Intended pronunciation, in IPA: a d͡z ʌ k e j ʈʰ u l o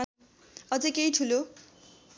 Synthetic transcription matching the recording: ʌ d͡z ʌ k e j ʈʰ u l o